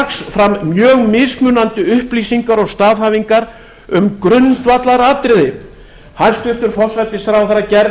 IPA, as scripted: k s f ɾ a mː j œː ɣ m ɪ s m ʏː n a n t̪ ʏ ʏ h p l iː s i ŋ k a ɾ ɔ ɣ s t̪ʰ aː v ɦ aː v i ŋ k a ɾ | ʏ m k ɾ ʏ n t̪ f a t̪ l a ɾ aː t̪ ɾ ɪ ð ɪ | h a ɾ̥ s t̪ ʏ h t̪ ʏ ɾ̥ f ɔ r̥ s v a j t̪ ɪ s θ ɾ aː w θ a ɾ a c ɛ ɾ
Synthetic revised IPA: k s f ɾ a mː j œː ɣ m ɪ s m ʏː n a n t̪ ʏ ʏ h p l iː s i ŋ k a ɾ ɔ ɣ s t̪ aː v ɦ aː v i ŋ k a ɾ | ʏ m k ɾ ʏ n t̪ v a t̪ l a ɾ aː t̪ ɾ ɪ ð ɪ | h a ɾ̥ s t̪ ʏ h t̪ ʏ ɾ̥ f ɔ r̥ s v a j t̪ ɪ s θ ɾ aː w θ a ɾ a c ɛ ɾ